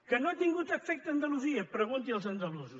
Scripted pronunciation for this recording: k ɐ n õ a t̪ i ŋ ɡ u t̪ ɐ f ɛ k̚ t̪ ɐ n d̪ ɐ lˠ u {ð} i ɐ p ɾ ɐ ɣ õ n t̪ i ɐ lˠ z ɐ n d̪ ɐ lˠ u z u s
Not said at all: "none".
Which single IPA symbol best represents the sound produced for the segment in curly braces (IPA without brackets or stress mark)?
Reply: z